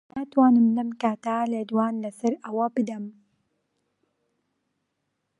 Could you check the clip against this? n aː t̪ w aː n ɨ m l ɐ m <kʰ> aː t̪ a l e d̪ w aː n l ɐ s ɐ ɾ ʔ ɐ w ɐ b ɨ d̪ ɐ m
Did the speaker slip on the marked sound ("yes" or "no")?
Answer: yes